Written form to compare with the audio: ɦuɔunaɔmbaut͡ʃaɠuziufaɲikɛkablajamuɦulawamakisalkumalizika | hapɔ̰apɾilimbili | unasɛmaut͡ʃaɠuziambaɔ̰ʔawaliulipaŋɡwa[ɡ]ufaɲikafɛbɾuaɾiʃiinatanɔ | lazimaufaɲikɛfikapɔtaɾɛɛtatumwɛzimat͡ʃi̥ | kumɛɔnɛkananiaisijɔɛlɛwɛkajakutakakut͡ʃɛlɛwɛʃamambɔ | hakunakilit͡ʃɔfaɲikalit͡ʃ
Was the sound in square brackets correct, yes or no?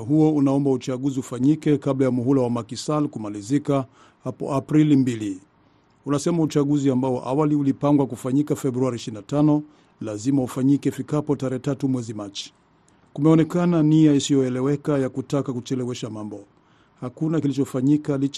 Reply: no